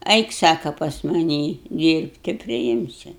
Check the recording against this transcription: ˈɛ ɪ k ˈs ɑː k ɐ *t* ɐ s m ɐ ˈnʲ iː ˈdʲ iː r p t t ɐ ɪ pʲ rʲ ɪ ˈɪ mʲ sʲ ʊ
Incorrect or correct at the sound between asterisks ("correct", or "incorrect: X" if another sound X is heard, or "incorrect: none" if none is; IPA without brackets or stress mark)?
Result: incorrect: p